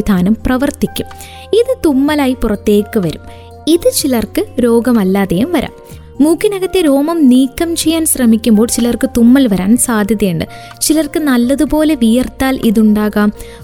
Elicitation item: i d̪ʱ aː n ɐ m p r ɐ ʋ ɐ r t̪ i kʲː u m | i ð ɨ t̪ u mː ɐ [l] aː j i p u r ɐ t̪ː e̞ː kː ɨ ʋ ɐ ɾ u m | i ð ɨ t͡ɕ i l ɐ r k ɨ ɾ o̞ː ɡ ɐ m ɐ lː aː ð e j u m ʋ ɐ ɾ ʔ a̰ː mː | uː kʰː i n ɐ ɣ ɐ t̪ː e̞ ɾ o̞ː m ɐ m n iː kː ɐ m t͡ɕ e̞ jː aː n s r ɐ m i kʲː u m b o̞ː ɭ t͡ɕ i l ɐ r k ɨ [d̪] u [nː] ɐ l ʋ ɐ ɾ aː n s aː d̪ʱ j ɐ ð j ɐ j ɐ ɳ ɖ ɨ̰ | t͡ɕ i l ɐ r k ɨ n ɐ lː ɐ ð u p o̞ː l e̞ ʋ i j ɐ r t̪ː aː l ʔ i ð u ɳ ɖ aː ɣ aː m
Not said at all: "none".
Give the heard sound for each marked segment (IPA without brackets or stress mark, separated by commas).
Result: l, t̪, mː